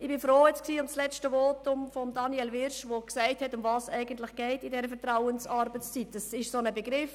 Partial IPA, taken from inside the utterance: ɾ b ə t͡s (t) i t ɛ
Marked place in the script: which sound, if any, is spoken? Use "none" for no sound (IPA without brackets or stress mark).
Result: t͡s